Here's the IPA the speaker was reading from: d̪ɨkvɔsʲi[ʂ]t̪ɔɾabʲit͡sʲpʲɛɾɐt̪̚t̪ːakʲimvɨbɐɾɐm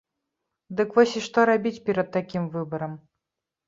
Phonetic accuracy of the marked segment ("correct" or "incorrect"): correct